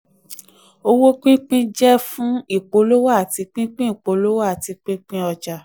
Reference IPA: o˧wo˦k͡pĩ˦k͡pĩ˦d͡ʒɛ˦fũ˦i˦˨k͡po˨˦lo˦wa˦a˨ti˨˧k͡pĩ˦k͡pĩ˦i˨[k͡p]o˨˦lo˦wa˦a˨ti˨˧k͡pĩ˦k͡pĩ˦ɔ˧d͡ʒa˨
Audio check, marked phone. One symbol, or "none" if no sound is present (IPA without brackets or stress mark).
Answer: k͡p